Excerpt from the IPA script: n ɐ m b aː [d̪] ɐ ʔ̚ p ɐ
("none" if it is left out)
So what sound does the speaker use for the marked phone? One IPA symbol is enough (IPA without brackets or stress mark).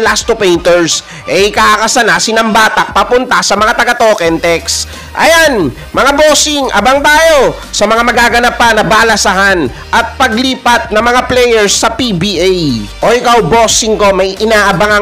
t̪